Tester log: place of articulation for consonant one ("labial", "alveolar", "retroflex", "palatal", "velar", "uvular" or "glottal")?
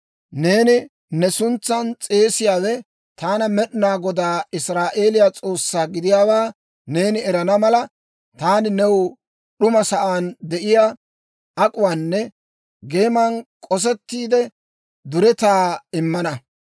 alveolar